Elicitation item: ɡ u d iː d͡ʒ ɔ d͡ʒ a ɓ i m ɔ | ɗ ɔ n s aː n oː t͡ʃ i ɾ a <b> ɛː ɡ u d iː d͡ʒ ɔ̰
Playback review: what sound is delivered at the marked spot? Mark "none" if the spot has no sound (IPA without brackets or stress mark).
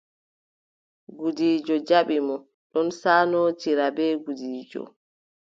b